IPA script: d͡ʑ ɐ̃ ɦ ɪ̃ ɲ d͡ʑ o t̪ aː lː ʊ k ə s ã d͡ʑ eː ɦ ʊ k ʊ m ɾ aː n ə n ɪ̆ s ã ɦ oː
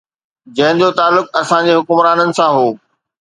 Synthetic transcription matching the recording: d͡ʑ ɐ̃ ɦ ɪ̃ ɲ d͡ʑ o t̪ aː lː ʊ k ɐ s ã d͡ʑ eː ɦ ʊ k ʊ m ɾ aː n ə n ɪ̆ s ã ɦ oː